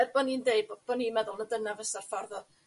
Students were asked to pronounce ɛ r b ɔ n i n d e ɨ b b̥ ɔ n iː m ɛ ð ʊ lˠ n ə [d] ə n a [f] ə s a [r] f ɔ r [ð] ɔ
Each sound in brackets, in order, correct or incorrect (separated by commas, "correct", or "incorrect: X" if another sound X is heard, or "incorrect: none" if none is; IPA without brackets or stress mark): correct, incorrect: v, correct, correct